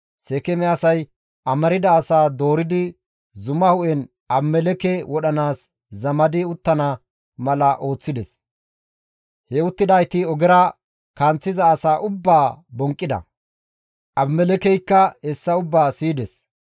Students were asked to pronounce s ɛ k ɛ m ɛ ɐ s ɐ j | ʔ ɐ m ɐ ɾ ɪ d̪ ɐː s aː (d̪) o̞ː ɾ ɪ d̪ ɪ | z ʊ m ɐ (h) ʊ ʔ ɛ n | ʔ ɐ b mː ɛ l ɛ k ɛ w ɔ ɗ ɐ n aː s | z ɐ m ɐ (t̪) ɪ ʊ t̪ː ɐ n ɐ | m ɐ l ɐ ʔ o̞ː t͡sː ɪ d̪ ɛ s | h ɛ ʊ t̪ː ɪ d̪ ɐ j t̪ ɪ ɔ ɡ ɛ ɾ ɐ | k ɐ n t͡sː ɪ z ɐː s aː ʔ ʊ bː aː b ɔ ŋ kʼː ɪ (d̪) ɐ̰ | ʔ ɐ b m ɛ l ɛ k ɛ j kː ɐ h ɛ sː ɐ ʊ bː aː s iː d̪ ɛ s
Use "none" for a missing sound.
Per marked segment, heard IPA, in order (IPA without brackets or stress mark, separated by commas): d̪, h, d̪, d̪